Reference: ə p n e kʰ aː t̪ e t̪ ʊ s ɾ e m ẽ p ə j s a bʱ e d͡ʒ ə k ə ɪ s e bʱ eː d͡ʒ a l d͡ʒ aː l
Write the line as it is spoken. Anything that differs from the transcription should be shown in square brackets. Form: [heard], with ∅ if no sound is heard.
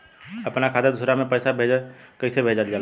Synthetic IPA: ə p n [a] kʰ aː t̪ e [d̪] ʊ s ɾ [a] m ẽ p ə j s a bʱ e d͡ʒ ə k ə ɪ s e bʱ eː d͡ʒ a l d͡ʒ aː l